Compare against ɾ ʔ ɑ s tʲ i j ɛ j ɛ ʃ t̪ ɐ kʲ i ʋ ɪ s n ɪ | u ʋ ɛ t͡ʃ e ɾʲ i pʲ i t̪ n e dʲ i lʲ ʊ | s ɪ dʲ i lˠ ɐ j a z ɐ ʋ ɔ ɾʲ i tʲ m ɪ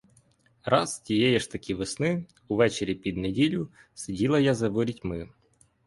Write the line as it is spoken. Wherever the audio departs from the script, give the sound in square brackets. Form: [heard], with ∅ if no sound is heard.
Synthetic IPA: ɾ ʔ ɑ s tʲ i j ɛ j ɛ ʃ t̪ ɐ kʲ i ʋ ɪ s n ɪ | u ʋ ɛ t͡ʃ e ɾʲ i pʲ i [d̪] n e dʲ i lʲ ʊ | s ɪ dʲ i lˠ ɐ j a z ɐ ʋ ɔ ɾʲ i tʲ m ɪ